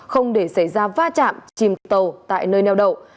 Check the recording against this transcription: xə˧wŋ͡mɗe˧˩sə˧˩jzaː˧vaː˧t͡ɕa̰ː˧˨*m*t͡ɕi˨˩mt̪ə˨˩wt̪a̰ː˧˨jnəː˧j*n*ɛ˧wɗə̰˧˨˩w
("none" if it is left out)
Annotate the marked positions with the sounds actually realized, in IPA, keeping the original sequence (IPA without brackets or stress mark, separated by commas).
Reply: m, n